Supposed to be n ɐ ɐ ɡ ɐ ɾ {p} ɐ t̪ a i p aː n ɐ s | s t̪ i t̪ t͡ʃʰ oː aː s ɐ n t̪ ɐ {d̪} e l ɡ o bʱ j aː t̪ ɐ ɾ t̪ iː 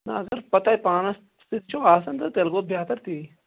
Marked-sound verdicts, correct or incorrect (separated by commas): correct, incorrect